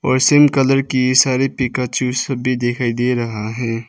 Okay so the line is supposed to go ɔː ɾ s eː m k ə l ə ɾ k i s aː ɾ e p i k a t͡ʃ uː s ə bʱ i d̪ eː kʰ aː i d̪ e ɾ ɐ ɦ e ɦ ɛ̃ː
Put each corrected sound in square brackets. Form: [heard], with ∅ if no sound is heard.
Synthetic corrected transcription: ɔː ɾ s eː m k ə l ə ɾ k i s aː ɾ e p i k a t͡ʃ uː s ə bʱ i d̪ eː kʰ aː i d̪ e ɾ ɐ ɦ [a] ɦ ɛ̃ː